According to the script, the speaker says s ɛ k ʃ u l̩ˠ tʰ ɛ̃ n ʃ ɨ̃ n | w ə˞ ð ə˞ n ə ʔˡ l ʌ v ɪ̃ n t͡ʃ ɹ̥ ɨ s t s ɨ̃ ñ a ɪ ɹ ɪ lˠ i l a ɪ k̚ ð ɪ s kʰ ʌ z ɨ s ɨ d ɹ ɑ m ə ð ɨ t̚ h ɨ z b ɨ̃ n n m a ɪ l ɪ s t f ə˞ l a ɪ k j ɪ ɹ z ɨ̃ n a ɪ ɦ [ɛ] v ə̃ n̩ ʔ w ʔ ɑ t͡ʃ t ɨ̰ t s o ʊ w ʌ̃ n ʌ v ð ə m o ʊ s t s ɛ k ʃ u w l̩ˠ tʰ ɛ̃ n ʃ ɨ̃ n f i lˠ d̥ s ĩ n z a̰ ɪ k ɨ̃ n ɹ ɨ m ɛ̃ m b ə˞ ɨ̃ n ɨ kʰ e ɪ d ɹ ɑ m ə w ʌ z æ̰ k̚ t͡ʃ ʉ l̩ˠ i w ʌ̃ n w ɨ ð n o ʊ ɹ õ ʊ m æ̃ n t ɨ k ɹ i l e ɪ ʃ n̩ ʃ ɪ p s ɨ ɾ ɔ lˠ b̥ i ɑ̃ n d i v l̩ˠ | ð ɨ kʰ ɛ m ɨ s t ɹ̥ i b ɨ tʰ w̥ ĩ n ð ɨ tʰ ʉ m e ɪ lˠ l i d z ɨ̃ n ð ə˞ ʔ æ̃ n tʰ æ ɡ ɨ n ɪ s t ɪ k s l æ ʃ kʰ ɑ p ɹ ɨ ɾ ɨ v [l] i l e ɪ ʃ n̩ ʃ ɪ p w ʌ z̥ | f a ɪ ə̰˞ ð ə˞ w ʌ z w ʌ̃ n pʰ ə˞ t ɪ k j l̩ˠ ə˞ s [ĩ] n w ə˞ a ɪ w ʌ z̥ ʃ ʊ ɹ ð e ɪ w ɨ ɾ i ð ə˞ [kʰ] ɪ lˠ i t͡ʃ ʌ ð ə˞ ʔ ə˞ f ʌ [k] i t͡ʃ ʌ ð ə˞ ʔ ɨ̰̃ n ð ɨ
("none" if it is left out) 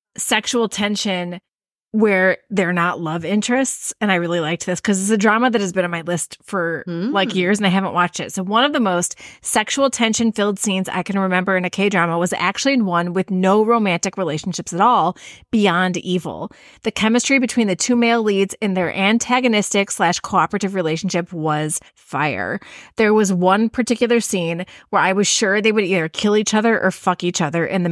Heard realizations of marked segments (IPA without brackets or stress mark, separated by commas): æ, ɹ, ĩ, kʰ, k